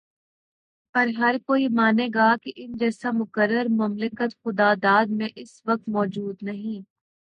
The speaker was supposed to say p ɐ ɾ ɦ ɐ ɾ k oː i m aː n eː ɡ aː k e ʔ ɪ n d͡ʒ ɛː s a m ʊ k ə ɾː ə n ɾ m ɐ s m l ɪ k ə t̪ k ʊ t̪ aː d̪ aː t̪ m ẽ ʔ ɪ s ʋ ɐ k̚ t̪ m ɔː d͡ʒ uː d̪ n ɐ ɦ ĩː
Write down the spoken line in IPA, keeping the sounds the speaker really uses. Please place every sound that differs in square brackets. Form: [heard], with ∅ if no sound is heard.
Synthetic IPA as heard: p ɐ ɾ ɦ ɐ ɾ k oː i m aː n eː ɡ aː k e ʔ ɪ n d͡ʒ ɛː s a m ʊ k ə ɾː ə [∅] ɾ m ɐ [∅] m l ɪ k ə t̪ [x] ʊ [d̪] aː d̪ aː [d̪] m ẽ ʔ ɪ s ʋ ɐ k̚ t̪ m ɔː d͡ʒ uː d̪ n ɐ ɦ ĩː

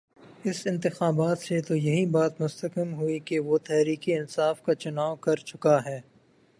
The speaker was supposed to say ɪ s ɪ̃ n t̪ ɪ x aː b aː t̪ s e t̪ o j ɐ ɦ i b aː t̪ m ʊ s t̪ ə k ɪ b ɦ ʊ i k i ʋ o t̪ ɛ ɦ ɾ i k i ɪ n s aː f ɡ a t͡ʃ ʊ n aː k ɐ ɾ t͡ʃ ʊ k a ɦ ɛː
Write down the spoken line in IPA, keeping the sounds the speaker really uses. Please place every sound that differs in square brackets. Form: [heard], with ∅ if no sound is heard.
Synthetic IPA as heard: ɪ s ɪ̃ n t̪ ɪ x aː b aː t̪ s e t̪ o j ɐ ɦ i b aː t̪ m ʊ s t̪ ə k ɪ [m] ɦ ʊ i k [e] ʋ o t̪ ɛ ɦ ɾ [iː] k i ɪ n s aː f [k] a t͡ʃ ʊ n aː k ɐ ɾ t͡ʃ ʊ k a ɦ ɛː

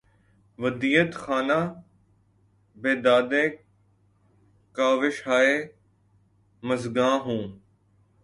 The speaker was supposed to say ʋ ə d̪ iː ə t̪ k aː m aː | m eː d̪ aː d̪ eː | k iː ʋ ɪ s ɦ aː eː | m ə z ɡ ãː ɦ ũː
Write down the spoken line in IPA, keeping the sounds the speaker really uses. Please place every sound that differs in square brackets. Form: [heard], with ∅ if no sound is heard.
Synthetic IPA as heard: ʋ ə d̪ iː ə t̪ [x] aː [n] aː | [b] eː d̪ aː d̪ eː | k [aː] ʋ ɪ [ʃ] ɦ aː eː | m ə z ɡ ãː ɦ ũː

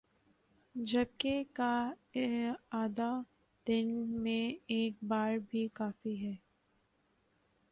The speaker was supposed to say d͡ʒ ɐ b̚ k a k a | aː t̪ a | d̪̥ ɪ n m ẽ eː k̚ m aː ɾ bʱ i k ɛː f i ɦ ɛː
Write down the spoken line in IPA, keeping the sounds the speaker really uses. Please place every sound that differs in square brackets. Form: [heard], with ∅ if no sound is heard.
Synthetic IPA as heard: d͡ʒ ɐ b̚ k [e] k a | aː [d̪] a | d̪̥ ɪ n m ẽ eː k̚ [b] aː ɾ bʱ i k [aː] f i ɦ ɛː

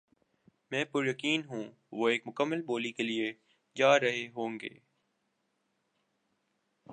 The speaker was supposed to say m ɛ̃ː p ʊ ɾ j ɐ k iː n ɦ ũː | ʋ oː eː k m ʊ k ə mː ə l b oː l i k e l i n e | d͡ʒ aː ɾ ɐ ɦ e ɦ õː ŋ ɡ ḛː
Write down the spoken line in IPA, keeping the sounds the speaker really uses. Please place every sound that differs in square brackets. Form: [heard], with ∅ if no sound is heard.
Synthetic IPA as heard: m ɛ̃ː p ʊ ɾ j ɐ k iː n ɦ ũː | ʋ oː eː k m ʊ k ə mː ə l b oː l i k e l i [∅] e | d͡ʒ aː ɾ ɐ ɦ e ɦ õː ŋ ɡ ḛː

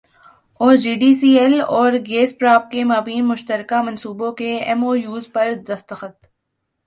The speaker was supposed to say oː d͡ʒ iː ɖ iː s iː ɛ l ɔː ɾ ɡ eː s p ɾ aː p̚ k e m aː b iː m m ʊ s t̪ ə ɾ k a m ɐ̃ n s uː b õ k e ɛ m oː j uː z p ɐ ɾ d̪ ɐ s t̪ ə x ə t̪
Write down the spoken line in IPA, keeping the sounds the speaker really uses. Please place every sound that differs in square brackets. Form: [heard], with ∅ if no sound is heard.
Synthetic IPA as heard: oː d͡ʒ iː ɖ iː s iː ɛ l ɔː ɾ ɡ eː s p ɾ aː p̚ k e m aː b iː [n] m ʊ [ʃ] t̪ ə ɾ k a m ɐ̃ n s uː b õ k e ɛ m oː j uː z p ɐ ɾ d̪ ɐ s t̪ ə x ə t̪

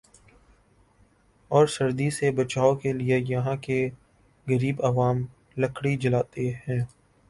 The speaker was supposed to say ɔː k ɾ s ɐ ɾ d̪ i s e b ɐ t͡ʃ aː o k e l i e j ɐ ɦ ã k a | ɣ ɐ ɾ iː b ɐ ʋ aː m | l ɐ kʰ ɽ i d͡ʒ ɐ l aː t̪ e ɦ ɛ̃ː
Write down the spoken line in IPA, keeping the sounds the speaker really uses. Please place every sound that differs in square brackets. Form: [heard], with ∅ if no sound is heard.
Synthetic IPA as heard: ɔː [∅] ɾ s ɐ ɾ d̪ i s e b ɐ t͡ʃ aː o k e l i e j ɐ ɦ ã k [e] | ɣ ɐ ɾ iː b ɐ ʋ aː m | l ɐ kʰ ɽ i d͡ʒ ɐ l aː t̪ e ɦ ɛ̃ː

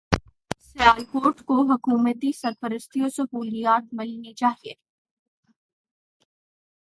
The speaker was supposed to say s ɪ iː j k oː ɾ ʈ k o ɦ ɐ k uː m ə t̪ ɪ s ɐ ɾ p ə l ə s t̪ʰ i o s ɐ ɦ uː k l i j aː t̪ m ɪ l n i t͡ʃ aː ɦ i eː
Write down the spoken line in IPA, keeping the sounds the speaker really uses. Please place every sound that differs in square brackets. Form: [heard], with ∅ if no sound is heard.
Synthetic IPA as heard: s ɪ [aː] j k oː ɾ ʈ k o ɦ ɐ k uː m ə t̪ [i] s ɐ ɾ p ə [ɾ] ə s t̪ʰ i o s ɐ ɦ uː [∅] l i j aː t̪ m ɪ l n i t͡ʃ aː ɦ i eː

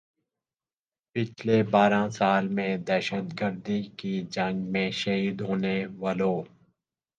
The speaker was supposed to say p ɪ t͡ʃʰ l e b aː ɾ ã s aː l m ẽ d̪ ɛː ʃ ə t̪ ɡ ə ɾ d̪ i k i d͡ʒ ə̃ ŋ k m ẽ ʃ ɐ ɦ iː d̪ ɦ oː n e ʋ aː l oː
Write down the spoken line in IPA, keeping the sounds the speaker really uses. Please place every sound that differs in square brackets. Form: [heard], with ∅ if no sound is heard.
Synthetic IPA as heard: p ɪ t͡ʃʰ l e b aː ɾ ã s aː l m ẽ d̪ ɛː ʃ ə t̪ ɡ ə ɾ d̪ i k i d͡ʒ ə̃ ŋ [ɡ] m ẽ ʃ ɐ ɦ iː d̪ ɦ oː n e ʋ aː l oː

